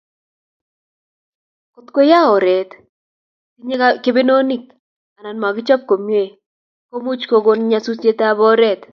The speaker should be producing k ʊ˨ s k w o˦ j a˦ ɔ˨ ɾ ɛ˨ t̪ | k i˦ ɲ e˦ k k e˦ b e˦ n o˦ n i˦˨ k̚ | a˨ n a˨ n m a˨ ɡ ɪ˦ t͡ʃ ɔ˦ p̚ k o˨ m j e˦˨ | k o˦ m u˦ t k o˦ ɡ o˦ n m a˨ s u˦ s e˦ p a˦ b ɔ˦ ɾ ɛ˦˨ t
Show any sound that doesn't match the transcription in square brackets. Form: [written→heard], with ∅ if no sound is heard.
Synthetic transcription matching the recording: k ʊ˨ [s→t] k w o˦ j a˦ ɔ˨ ɾ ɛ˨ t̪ | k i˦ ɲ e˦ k k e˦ b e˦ n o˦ n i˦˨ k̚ | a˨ n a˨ n m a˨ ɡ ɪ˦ t͡ʃ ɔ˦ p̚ k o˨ m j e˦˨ | k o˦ m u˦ [t→t͡ʃ] k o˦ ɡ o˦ n [m→ɲ] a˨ s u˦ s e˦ [p→t] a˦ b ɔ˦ ɾ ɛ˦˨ t